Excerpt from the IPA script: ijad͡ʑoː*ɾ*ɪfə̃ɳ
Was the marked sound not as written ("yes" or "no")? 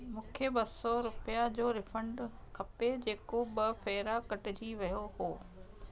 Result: no